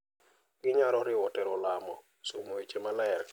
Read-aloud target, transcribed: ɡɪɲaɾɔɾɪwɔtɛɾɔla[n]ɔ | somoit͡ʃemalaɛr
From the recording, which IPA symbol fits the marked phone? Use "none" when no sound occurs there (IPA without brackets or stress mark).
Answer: m